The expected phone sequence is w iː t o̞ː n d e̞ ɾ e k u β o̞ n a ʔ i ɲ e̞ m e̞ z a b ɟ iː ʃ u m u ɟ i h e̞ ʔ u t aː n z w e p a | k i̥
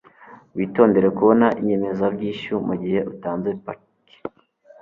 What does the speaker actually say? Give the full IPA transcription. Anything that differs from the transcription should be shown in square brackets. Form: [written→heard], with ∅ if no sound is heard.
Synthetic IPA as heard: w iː t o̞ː n d e̞ ɾ e k u β o̞ n a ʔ i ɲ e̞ m e̞ z a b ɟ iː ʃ u m u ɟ i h e̞ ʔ u t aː n z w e p a | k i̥

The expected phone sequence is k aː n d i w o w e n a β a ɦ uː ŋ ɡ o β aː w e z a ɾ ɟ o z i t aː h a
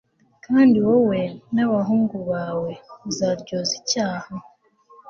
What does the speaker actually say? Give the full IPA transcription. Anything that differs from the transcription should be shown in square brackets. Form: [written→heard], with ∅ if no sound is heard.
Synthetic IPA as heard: k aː n d i w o w e n a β a ɦ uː ŋ ɡ [o→u] β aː w e z a ɾ ɟ o z i [t→c] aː h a

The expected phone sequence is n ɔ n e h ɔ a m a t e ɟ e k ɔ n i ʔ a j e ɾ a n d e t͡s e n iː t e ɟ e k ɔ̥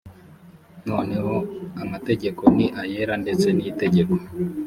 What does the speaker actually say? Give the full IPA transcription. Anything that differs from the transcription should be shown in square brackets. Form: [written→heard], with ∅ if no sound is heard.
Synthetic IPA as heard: n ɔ n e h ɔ a m a t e ɟ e k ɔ n i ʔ a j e ɾ a n d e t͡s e n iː t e ɟ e k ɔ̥

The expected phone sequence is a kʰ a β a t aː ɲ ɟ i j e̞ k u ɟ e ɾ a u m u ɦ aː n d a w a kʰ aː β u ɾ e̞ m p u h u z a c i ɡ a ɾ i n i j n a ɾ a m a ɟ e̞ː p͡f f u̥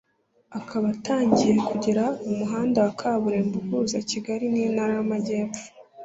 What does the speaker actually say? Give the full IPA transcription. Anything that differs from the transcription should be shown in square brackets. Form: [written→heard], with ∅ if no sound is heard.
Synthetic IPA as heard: a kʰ a β a t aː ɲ ɟ i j e̞ k u ɟ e ɾ a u m u ɦ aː n d a w a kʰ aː β u ɾ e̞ m [p→b] u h u z a c i ɡ a ɾ i n i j n a ɾ a m a ɟ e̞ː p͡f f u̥

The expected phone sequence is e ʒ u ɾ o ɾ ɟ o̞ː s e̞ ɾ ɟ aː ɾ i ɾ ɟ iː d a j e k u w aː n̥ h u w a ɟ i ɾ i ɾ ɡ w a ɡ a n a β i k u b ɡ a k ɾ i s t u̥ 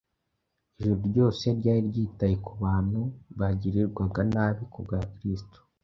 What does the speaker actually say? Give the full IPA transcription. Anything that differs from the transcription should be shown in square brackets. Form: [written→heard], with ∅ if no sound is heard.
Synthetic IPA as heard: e ʒ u ɾ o ɾ ɟ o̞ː s e̞ ɾ ɟ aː ɾ i ɾ ɟ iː [d→t] a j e k u [w→β] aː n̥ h u [w→β] a ɟ i ɾ i ɾ ɡ w a ɡ a n a β i k u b ɡ a k ɾ i s t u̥

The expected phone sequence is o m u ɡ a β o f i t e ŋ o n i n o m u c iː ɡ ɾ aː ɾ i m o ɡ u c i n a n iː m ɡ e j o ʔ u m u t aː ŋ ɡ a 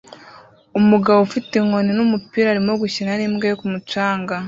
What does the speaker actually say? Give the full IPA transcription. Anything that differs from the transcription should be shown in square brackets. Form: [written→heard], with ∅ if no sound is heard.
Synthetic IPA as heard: o m u ɡ a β o f i t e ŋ o n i n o m u [c→p] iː [ɡ→∅] ɾ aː ɾ i m o ɡ u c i n a n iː m ɡ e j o [ʔ→k] u m u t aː ŋ ɡ a

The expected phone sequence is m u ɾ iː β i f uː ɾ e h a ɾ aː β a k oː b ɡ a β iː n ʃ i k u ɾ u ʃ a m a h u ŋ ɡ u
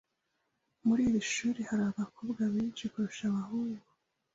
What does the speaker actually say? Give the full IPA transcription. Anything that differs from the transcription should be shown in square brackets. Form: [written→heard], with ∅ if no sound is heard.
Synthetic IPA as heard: m u ɾ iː β i [f→ʃ] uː ɾ e h a ɾ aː β a k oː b ɡ a β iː n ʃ i k u ɾ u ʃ a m a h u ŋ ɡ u

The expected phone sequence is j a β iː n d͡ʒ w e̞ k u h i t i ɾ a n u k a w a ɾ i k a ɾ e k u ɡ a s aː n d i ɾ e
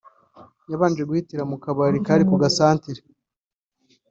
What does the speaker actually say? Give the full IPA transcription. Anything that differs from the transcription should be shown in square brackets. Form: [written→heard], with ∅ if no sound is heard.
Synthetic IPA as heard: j a β [iː→aː] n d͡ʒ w e̞ [k→ɡ] u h i t i ɾ a [n→m] u k a [w→β] a ɾ i k a ɾ [e→i] k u ɡ a s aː n [d→t] i ɾ e

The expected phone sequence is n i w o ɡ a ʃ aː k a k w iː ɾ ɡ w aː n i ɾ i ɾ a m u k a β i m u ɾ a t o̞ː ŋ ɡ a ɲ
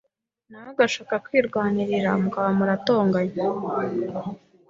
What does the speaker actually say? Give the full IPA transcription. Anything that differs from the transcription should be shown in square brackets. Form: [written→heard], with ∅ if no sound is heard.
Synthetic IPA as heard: n [i→a] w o ɡ a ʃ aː k a k w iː ɾ ɡ w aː n i ɾ i ɾ a m u k a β [i→a] m u ɾ a t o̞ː ŋ ɡ a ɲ

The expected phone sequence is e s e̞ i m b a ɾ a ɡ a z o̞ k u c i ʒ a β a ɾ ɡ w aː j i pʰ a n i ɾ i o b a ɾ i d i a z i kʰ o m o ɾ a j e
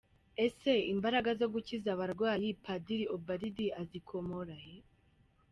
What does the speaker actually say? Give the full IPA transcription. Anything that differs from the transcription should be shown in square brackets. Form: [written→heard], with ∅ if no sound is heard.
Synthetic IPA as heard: e s e̞ i m b a ɾ a ɡ a z o̞ [k→ɡ] u c i [ʒ→z] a β a ɾ ɡ w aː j i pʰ a [n→d] i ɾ i o b a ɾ i d i a z i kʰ o m o ɾ a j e

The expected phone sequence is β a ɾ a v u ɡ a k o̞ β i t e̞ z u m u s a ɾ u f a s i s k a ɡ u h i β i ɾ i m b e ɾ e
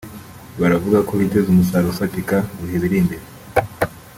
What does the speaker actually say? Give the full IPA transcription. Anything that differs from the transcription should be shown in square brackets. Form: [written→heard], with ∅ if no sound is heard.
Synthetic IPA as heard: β a ɾ a v u ɡ a k o̞ β i t e̞ z u m u s a ɾ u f a [s→t] i [s→∅] k a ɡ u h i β i ɾ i m b e ɾ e

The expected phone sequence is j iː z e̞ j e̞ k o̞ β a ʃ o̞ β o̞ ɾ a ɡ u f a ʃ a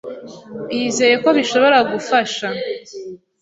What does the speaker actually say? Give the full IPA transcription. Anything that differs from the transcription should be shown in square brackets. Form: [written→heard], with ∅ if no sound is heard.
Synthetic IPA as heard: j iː z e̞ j e̞ k o̞ β [a→i] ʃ o̞ β o̞ ɾ a ɡ u f a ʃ a

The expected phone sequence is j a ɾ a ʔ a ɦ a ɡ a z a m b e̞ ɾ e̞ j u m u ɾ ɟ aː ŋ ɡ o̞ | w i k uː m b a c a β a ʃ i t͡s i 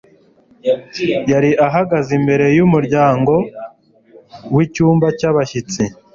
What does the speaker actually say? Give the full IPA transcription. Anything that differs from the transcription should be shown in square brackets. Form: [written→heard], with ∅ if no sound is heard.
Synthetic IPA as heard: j a ɾ [a→i] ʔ a ɦ a ɡ a z [a→i] m b e̞ ɾ e̞ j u m u ɾ ɟ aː ŋ ɡ o̞ | w i [k→c] uː m b a c a β a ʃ i t͡s i

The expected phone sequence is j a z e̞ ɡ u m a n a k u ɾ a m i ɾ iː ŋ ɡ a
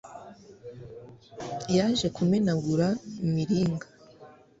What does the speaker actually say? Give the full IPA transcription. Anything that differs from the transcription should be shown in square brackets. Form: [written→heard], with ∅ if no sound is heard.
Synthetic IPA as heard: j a [z→ʒ] e̞ [ɡ→k] u m [a→e] n a [k→ɡ] u ɾ a m i ɾ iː ŋ ɡ a

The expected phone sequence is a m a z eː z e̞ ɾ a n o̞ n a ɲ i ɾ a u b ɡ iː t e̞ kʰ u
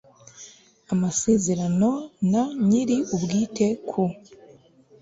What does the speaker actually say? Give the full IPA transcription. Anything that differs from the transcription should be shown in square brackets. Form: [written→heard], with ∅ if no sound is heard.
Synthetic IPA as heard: a m a [z→s] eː z e̞ ɾ a n o̞ n a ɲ i ɾ [a→i] u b ɡ iː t e̞ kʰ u

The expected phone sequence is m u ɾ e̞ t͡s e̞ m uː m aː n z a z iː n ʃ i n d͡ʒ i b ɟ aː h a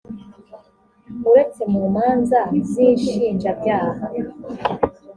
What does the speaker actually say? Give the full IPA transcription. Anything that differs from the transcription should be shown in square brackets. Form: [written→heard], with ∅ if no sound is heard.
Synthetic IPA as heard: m u ɾ e̞ t͡s e̞ m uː m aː n z a z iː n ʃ [i→iː] n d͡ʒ [i→a] b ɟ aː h a

